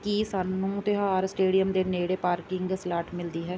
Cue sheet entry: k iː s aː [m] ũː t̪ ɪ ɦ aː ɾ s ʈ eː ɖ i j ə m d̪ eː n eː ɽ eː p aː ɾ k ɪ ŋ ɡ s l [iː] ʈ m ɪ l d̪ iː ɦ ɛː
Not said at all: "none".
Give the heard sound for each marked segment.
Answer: n, aː

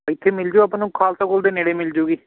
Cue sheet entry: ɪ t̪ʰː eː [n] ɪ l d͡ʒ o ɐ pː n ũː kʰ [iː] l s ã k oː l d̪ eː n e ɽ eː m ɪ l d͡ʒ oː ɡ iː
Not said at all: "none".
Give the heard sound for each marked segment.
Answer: m, aː

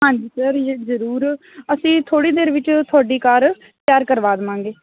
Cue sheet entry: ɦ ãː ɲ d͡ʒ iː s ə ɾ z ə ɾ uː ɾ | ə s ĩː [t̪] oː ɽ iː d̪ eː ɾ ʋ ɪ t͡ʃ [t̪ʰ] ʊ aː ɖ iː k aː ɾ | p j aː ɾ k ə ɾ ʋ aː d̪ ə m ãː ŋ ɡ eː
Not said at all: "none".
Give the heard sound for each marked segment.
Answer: t̪ʰ, t̪ʰ

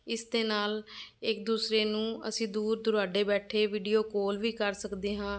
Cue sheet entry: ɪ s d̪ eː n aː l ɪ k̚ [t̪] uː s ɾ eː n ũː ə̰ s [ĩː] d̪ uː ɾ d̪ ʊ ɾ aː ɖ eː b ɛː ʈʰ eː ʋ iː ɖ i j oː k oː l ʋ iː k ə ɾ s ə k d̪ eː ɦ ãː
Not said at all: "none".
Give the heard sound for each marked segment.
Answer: d̪, ĩː

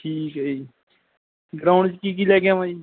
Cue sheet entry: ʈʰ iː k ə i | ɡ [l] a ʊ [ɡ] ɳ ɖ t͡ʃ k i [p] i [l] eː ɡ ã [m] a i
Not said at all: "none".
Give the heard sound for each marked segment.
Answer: ɾ, none, k, l, m

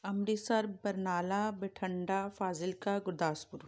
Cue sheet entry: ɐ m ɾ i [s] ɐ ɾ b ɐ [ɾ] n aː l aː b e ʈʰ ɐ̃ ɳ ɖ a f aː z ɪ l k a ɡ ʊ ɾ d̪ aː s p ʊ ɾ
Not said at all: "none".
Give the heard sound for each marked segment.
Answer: s, ɾ

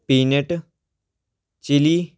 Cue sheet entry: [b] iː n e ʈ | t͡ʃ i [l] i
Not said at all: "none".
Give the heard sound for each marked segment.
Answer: p, l

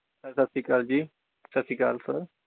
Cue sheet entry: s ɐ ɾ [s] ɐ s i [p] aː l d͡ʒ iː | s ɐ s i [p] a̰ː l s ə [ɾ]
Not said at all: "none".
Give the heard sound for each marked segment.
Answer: s, k, k, ɾ

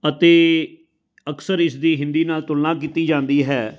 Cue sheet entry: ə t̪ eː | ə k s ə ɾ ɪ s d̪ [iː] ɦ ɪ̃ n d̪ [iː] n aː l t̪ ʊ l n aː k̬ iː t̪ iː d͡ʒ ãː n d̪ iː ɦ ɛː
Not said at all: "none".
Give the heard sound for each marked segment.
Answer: iː, iː

